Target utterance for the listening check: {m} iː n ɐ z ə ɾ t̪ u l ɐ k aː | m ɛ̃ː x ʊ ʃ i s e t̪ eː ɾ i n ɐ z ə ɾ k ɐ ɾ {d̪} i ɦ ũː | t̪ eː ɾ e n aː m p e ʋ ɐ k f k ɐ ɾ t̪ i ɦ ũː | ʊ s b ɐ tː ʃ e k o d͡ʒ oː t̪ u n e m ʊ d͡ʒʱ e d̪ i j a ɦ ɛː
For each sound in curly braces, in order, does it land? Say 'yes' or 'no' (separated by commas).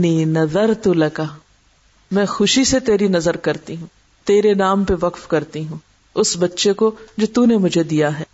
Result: no, no